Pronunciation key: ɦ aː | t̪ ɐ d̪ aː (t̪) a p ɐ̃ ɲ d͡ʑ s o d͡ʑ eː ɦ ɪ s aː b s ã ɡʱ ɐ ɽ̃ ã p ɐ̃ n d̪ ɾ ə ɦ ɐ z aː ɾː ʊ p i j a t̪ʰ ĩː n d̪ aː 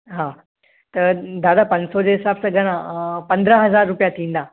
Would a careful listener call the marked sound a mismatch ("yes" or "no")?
yes